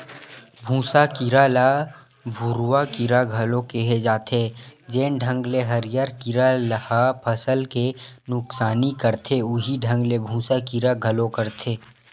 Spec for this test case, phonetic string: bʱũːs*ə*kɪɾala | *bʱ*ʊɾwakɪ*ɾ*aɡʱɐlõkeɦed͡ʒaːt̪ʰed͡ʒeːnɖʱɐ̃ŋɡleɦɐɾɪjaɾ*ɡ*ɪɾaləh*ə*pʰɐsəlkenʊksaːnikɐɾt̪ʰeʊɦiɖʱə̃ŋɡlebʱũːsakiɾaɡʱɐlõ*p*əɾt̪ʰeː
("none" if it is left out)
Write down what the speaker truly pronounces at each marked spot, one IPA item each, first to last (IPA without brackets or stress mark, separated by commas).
a, bʱ, ɾ, k, a, k